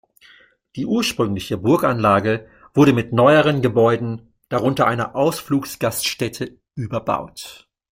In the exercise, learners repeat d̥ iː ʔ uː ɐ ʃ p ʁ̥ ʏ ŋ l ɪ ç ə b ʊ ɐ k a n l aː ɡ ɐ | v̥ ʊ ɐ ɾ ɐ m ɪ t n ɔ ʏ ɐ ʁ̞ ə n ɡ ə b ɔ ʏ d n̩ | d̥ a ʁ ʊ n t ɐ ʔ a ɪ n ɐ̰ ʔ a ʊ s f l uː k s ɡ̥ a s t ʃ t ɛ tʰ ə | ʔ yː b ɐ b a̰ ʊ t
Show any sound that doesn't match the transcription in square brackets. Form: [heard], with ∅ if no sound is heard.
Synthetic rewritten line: d̥ iː ʔ uː ɐ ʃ p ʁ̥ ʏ ŋ l ɪ ç ə b ʊ ɐ k a n l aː ɡ [ə] | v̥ ʊ ɐ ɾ [ə] m ɪ t n ɔ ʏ [ə] ʁ̞ ə n ɡ ə b ɔ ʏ d n̩ | d̥ a ʁ ʊ n t ɐ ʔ a ɪ n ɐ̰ ʔ a ʊ s f l uː k s ɡ̥ a s t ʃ t ɛ tʰ ə | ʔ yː b ɐ b a̰ ʊ t